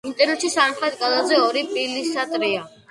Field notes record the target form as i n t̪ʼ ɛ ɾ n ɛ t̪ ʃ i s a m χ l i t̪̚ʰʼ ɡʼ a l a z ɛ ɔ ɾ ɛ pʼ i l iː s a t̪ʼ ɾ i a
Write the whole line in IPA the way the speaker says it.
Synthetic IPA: i n t̪ʼ ɛ ɾ n ɛ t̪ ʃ i s a m χ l ɛ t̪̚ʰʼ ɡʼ a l a z ɛ ɔ ɾ i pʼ i l i s a t̪ʼ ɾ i a